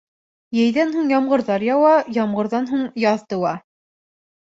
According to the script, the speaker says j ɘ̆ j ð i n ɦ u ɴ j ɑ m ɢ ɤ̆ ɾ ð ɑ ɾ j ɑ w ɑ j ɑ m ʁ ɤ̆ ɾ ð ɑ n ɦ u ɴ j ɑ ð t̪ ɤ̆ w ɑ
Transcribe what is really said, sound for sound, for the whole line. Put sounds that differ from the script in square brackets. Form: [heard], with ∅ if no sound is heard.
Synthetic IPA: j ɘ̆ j ð [æ] n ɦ u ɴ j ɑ m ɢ ɤ̆ ɾ ð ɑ ɾ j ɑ w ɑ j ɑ m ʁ ɤ̆ ɾ ð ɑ n ɦ u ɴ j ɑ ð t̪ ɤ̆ w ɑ